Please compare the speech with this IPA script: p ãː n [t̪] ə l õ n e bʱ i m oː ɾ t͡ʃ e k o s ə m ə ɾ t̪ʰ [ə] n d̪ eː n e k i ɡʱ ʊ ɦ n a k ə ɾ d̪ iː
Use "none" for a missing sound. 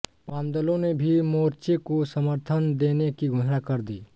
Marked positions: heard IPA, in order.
d̪, ə

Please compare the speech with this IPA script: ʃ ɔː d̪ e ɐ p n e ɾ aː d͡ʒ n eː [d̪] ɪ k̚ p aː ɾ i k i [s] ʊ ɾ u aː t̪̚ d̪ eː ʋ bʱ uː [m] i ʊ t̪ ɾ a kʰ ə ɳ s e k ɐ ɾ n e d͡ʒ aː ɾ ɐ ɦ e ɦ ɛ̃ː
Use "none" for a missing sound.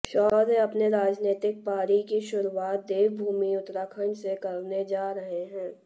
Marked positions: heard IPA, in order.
t̪, ʃ, m

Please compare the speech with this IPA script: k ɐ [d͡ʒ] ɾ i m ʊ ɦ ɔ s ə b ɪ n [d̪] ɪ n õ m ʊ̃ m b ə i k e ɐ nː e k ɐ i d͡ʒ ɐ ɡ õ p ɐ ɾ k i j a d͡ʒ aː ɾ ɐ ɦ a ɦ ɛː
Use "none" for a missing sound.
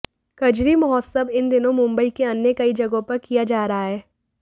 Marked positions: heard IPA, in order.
d͡ʒ, d̪

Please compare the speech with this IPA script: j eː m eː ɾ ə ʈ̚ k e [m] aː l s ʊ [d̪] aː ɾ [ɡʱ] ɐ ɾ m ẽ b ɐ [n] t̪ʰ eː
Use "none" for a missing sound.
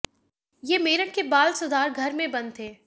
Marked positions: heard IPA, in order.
b, d̪, ɡʱ, n

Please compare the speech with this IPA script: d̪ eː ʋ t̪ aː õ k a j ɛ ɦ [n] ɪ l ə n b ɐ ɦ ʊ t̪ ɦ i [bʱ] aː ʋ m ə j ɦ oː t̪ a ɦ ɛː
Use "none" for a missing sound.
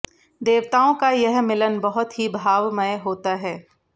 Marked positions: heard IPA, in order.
m, bʱ

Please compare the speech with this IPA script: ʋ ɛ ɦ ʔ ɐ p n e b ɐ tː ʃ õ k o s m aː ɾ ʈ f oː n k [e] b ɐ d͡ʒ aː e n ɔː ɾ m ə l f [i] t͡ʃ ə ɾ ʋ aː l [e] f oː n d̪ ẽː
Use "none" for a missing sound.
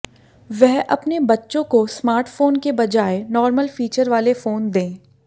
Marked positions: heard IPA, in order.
e, iː, e

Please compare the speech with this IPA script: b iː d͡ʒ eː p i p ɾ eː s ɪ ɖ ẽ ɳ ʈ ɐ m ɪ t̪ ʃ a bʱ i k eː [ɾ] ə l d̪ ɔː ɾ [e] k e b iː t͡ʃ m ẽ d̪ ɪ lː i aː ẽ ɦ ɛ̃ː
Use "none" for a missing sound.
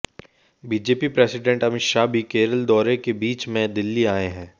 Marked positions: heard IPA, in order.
ɾ, e

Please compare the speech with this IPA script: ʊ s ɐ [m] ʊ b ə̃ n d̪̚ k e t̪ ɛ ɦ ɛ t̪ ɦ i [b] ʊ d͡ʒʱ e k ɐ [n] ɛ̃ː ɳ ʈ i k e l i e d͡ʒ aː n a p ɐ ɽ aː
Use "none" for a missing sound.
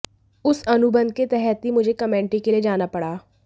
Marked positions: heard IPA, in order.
n, m, m

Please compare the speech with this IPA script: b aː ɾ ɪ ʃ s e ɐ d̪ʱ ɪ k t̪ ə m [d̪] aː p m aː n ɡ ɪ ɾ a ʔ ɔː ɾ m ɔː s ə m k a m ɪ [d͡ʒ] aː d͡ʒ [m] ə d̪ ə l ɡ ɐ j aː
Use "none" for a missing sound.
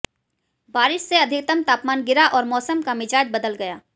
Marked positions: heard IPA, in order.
t̪, d͡ʒ, b

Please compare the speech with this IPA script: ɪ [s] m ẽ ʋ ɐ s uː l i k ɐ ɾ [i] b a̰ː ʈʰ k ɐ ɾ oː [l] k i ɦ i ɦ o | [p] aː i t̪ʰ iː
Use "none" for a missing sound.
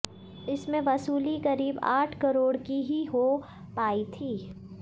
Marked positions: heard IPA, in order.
s, iː, ɽ, p

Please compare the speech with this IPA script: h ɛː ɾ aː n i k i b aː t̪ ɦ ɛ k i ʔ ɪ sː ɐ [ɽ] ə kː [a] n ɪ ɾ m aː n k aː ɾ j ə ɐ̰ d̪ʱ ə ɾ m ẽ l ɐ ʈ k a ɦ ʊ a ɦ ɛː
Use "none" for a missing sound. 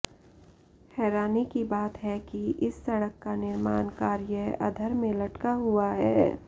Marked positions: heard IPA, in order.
ɽ, a

